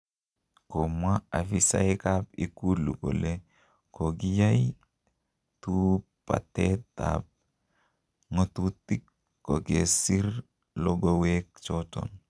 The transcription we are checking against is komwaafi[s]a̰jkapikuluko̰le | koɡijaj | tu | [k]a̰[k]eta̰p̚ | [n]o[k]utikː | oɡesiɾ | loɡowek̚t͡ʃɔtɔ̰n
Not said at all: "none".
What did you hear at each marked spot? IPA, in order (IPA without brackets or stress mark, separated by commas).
s, p, t, ŋ, t